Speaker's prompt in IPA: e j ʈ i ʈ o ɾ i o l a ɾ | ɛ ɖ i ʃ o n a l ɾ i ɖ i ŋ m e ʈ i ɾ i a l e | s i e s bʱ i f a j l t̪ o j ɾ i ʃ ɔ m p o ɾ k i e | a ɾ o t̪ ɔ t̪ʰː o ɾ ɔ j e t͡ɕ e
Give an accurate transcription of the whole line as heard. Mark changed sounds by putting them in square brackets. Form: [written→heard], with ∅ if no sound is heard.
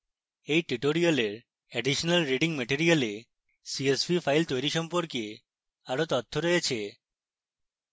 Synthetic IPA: e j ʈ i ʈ o ɾ i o l [a→e] ɾ | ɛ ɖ i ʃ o n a l ɾ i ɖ i ŋ m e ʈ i ɾ i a l e | s i e s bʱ i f a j l t̪ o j ɾ i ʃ ɔ m p o ɾ k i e | a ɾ o t̪ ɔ t̪ʰː o ɾ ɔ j e [t͡ɕ→t͡ɕʰ] e

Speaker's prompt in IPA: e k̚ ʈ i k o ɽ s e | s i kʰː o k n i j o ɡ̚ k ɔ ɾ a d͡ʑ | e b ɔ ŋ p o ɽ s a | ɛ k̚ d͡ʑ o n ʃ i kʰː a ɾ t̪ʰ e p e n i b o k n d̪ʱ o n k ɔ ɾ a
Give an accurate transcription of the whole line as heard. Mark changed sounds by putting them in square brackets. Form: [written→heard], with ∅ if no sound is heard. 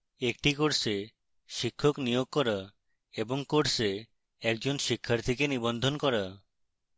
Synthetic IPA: e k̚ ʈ i k o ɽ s e | [s→ʃ] i kʰː o k n i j o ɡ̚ k ɔ ɾ a [d͡ʑ→∅] | e b [ɔ→o] ŋ [p→k] o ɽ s [a→e] | ɛ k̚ d͡ʑ o n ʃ i kʰː a ɾ t̪ʰ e [p→k] e n i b o [k→∅] n d̪ʱ o n k ɔ ɾ a

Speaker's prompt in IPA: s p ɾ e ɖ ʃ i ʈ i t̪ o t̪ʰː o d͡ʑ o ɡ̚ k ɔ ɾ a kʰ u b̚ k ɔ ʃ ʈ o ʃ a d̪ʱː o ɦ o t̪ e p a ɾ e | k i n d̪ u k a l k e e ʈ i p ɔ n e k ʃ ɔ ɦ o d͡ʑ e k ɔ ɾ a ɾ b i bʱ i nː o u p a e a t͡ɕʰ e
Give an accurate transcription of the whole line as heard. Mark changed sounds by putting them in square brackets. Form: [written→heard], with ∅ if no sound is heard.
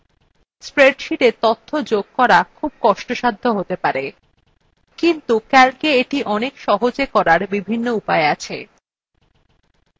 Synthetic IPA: s p ɾ e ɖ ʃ i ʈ [i→e] t̪ o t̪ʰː o d͡ʑ o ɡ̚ k ɔ ɾ a kʰ u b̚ k ɔ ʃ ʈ o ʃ a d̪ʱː o ɦ o t̪ e p a ɾ e | k i n [d̪→t̪] u k [a→ɛ] l k e e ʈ i [p→ʔ] ɔ n e k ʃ ɔ ɦ o d͡ʑ e k ɔ ɾ a ɾ b i bʱ i nː o u p a e a t͡ɕʰ e

